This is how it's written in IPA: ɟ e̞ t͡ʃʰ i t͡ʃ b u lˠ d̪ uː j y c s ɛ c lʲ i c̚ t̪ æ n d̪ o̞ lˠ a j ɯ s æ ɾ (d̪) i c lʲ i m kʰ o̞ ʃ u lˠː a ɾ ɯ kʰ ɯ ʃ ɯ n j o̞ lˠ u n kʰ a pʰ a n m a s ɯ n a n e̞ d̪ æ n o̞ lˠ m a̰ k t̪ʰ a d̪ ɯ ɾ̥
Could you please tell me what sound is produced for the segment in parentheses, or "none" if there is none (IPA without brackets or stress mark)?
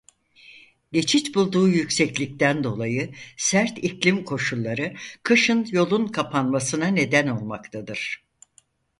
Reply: t̪